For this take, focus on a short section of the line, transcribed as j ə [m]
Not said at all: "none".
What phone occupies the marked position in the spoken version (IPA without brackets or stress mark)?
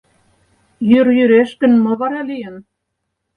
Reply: n